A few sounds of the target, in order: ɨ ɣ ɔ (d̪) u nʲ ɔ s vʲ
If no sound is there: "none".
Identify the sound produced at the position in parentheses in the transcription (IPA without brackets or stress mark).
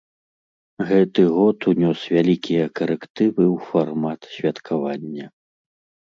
t̪